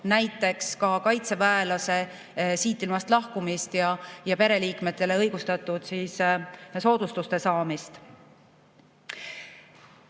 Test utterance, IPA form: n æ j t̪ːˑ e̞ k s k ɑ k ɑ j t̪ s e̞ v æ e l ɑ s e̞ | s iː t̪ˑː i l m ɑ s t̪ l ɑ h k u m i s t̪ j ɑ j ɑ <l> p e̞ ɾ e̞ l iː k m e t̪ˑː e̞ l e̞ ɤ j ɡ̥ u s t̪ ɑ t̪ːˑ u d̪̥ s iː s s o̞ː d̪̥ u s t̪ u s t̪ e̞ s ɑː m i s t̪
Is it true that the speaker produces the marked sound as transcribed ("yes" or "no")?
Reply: no